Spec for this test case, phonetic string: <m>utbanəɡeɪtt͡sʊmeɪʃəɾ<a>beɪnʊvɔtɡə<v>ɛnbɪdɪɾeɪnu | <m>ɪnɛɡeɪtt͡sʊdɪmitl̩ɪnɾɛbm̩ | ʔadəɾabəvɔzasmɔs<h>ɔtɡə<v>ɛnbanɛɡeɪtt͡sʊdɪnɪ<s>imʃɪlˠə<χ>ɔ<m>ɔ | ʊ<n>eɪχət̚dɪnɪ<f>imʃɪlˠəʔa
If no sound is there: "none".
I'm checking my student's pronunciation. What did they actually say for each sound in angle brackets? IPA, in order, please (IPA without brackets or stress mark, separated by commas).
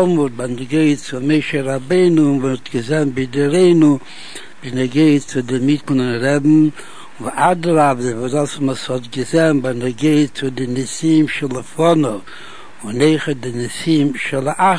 m, a, z, b, h, z, s, f, n, n, s